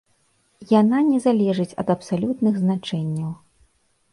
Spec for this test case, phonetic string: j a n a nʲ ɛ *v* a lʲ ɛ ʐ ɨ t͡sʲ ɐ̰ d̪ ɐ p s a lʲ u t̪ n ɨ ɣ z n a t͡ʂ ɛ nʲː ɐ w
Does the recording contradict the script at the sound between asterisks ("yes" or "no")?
yes